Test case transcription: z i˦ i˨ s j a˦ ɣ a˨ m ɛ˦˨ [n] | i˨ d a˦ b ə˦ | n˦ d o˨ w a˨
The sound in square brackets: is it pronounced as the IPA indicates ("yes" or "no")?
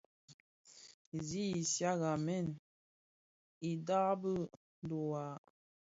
yes